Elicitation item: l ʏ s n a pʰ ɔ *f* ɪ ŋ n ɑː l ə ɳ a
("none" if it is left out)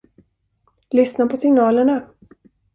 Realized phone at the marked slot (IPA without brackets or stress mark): s